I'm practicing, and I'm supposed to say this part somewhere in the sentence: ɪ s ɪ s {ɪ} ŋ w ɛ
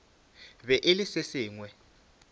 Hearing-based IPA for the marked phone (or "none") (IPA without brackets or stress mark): ɪː